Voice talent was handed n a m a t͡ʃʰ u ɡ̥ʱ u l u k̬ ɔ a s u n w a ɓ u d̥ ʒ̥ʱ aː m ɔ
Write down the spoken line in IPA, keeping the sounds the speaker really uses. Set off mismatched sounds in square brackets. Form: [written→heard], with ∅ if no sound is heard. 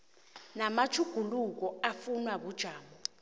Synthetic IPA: n a m a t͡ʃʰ u ɡ̥ʱ u l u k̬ ɔ a [s→f] u n w a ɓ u d̥ ʒ̥ʱ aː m ɔ